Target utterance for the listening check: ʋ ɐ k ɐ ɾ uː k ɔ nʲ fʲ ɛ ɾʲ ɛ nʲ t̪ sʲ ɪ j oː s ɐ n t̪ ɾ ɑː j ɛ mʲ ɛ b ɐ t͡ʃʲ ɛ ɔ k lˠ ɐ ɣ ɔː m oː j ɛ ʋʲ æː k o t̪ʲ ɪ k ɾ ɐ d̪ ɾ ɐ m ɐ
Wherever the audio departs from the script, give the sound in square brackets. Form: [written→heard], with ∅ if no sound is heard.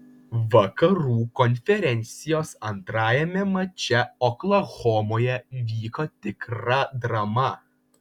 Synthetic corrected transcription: ʋ ɐ k ɐ ɾ uː k ɔ nʲ fʲ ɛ ɾʲ ɛ nʲ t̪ sʲ ɪ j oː s ɐ n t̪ ɾ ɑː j ɛ mʲ ɛ [b→m] ɐ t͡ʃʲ ɛ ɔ k lˠ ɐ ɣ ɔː m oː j ɛ ʋʲ [æː→iː] k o t̪ʲ ɪ k ɾ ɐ d̪ ɾ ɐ m ɐ

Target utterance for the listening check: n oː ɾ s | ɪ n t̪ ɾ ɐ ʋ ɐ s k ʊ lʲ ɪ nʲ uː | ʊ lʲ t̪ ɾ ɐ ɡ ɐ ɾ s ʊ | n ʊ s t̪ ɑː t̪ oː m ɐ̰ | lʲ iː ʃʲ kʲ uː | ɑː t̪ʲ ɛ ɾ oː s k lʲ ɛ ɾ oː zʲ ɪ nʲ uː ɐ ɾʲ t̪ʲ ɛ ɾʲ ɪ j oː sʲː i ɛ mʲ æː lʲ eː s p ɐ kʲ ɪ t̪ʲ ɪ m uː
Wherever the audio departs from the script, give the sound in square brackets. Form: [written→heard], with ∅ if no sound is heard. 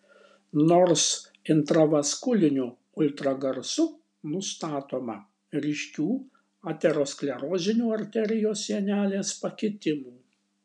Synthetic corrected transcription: n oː ɾ s | ɪ n t̪ ɾ ɐ ʋ ɐ s k ʊ lʲ ɪ nʲ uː | ʊ lʲ t̪ ɾ ɐ ɡ ɐ ɾ s ʊ | n ʊ s t̪ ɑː t̪ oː m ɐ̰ | [lʲ→ɾʲ] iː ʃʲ kʲ uː | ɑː t̪ʲ ɛ ɾ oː s k lʲ ɛ ɾ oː zʲ ɪ nʲ uː ɐ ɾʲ t̪ʲ ɛ ɾʲ ɪ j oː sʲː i ɛ [mʲ→nʲ] æː lʲ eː s p ɐ kʲ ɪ t̪ʲ ɪ m uː

